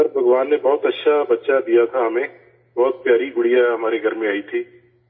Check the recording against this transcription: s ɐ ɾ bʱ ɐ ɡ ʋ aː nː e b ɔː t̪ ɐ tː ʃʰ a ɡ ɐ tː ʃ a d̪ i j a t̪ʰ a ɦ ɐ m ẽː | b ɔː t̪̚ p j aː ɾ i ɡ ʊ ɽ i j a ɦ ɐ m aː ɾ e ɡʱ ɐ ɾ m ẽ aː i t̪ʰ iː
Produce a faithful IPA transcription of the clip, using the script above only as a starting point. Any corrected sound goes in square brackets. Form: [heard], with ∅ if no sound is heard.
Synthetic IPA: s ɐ ɾ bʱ ɐ ɡ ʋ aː nː e b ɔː t̪ ɐ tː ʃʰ a [b] ɐ tː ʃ a d̪ i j a t̪ʰ a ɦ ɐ m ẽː | b ɔː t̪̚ p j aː ɾ i ɡ ʊ ɽ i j a ɦ ɐ m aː ɾ e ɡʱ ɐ ɾ m ẽ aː i t̪ʰ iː